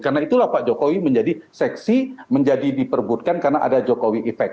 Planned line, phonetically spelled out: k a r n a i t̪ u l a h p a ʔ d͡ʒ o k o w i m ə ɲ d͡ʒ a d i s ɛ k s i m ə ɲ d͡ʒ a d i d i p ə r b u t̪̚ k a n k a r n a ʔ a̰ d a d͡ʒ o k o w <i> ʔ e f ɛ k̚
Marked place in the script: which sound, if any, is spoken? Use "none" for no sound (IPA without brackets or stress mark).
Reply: i